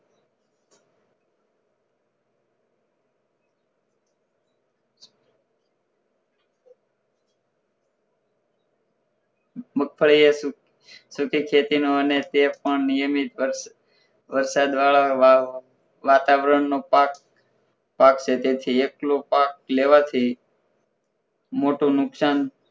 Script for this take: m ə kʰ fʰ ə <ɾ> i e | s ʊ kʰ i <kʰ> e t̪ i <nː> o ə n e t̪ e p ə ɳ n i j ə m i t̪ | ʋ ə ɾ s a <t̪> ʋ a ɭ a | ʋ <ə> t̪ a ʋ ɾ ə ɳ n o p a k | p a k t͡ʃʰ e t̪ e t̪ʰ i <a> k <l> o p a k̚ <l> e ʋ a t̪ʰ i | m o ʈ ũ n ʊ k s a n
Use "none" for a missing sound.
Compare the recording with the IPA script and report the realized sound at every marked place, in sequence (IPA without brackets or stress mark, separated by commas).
ɭ, kʰ, n, d̪, a, e, l, l